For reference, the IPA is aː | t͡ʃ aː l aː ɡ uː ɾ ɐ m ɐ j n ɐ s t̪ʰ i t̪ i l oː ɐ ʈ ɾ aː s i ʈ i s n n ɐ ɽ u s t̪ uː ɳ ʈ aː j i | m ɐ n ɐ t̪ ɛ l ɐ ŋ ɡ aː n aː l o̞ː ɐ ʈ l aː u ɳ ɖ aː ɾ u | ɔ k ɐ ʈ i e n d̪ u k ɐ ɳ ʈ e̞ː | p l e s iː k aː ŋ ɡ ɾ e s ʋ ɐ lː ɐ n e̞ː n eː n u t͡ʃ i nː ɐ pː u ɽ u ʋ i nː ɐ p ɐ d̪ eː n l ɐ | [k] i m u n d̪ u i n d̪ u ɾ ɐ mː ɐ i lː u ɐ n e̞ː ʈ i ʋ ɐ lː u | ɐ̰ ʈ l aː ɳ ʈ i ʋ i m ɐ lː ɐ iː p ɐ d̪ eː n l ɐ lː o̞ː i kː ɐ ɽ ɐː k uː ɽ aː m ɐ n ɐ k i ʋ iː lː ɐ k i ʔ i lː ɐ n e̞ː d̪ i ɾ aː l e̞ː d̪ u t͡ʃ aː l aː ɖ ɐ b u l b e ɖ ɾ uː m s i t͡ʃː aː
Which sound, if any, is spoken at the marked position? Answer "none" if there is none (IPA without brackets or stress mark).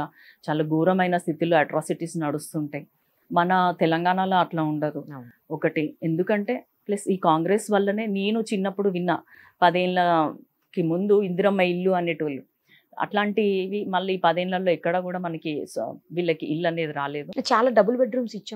k